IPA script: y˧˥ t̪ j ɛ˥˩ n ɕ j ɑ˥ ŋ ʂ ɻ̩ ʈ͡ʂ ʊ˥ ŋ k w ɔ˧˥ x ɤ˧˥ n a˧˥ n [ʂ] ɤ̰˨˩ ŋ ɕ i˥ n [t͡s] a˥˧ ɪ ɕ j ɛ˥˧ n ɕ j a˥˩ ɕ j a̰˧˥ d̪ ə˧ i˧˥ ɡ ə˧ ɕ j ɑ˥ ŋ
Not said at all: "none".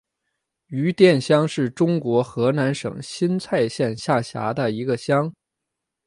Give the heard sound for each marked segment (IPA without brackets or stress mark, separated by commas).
ʂ, t͡sʰ